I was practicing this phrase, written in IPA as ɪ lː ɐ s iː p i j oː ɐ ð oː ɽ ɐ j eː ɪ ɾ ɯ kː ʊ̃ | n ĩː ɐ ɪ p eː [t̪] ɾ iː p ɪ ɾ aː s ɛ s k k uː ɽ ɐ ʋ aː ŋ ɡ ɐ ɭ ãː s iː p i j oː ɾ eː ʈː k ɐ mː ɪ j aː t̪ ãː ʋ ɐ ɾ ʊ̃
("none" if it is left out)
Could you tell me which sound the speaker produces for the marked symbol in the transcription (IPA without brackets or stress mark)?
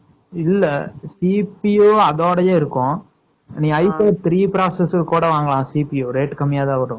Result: t̪